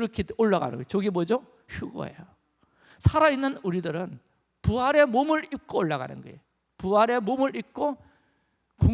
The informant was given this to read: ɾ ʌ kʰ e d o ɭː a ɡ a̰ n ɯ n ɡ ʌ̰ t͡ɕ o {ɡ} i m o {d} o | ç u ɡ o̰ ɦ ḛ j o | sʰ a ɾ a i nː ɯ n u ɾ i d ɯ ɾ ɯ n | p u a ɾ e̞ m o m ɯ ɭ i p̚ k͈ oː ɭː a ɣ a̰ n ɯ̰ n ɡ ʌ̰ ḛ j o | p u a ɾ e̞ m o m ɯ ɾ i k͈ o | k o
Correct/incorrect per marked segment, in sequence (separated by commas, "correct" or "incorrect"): correct, incorrect